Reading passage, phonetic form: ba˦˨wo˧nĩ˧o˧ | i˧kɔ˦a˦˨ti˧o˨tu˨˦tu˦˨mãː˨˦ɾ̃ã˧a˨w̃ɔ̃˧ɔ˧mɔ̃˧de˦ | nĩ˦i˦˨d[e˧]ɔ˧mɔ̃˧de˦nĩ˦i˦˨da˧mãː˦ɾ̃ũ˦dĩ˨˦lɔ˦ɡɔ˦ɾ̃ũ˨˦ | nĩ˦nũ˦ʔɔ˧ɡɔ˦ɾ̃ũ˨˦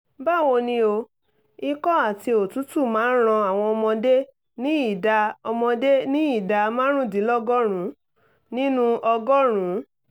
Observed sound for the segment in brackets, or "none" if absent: a˧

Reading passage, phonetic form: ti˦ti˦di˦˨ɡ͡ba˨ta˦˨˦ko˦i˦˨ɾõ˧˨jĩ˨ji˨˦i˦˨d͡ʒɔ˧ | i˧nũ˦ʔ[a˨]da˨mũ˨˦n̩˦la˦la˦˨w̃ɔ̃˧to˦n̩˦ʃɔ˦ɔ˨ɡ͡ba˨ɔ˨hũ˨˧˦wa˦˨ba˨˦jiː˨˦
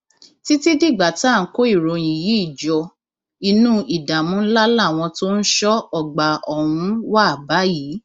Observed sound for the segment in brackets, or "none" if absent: i˨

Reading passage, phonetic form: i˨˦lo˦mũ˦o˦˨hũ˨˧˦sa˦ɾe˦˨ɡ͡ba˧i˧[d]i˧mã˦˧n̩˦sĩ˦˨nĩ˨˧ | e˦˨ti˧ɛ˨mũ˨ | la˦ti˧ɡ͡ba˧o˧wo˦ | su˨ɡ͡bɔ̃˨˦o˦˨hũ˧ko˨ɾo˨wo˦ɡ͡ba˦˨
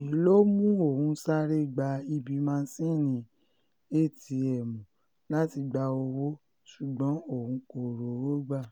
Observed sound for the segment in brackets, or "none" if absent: b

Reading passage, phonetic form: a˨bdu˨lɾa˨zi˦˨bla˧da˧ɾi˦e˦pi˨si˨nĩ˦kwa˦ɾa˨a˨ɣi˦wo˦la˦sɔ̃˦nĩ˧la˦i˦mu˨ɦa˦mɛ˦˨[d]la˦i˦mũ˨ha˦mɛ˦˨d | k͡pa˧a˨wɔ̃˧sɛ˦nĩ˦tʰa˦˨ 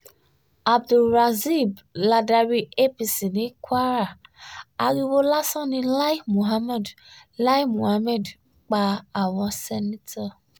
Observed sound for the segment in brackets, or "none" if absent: d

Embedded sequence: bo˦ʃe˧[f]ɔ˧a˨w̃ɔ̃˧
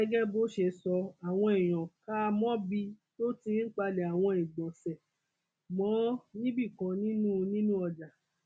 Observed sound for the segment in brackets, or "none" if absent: s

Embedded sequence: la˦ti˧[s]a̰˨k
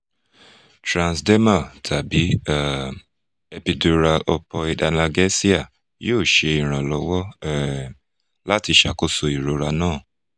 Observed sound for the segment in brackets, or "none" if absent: ʃ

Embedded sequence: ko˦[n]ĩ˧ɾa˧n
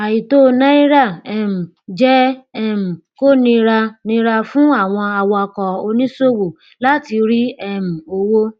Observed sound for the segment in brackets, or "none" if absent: n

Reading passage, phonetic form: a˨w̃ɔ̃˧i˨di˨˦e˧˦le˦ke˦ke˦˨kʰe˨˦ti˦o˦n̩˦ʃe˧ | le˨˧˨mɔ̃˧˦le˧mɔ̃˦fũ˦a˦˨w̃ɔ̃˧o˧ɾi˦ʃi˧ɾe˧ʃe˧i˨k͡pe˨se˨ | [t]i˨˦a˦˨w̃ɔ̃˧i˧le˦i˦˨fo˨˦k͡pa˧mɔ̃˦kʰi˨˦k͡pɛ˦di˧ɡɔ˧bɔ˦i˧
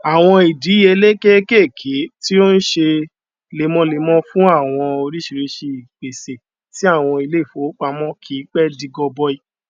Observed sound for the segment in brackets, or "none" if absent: t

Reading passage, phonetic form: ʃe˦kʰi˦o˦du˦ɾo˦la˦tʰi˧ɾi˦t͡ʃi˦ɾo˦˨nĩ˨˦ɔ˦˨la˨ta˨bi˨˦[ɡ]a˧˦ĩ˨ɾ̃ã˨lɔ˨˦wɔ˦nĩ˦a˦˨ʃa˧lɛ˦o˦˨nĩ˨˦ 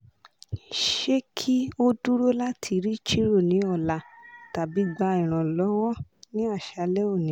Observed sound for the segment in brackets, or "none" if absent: ɡ͡b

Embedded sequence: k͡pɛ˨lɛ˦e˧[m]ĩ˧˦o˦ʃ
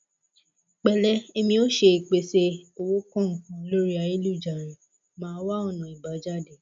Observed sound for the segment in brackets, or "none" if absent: m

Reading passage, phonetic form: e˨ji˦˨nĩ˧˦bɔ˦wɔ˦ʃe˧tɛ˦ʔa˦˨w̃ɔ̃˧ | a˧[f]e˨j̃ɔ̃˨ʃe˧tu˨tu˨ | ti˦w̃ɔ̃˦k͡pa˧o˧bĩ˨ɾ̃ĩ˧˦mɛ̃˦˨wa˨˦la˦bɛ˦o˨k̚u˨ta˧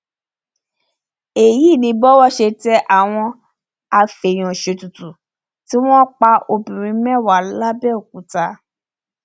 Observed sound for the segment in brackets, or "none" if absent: f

